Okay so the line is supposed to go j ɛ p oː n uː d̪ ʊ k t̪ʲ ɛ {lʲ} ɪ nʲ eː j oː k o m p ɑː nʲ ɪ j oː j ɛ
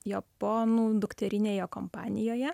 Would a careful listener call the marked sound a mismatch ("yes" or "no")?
yes